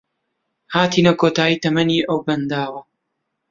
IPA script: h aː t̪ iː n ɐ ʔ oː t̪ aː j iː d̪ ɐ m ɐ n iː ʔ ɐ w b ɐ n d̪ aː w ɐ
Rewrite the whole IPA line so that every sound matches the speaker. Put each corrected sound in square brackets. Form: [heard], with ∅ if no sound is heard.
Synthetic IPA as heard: h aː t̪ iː n ɐ [k] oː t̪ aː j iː [t̪] ɐ m ɐ n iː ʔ ɐ w b ɐ n d̪ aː w ɐ